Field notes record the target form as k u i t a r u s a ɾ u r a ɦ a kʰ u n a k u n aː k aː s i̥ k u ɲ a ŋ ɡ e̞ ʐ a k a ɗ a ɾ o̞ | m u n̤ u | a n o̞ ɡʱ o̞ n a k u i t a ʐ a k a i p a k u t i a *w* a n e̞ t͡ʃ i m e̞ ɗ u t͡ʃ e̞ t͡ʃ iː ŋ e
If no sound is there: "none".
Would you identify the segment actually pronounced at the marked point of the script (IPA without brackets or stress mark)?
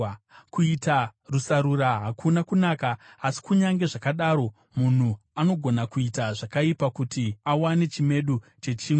w